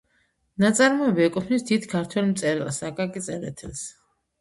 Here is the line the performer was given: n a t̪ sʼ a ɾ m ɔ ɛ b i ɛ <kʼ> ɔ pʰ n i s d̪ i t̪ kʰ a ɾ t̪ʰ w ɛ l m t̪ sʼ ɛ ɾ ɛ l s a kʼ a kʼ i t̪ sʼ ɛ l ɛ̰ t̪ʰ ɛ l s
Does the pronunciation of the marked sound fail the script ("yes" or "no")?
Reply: no